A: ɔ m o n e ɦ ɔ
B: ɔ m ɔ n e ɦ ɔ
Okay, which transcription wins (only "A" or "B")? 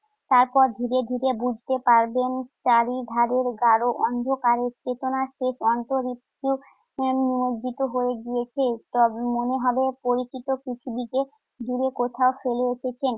A